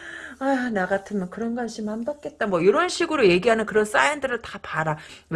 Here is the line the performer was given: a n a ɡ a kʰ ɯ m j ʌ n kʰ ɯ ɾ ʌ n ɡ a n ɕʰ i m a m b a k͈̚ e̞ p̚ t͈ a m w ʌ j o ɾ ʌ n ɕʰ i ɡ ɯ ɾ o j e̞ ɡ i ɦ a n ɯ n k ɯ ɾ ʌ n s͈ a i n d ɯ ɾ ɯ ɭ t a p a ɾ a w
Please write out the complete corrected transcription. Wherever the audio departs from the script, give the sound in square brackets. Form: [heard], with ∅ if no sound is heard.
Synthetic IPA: a n a ɡ a [tʰ] ɯ m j ʌ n [k] ɯ ɾ ʌ n ɡ a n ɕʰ i m a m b a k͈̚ e̞ [t̚] t͈ a m w ʌ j o ɾ ʌ n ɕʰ i ɡ ɯ ɾ o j e̞ ɡ i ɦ a n ɯ n k ɯ ɾ ʌ n s͈ a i n d ɯ ɾ ɯ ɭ t a p a ɾ a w